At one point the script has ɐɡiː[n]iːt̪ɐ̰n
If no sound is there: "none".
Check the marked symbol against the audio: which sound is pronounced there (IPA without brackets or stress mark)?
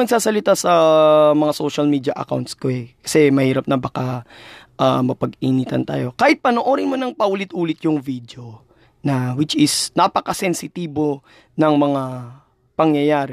n